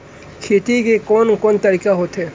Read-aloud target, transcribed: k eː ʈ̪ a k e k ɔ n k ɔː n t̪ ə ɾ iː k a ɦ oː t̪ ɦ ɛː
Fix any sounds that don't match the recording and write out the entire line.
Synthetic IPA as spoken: kʰ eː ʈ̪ i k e k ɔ n k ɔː n t̪ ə ɾ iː k a ɦ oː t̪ ɦ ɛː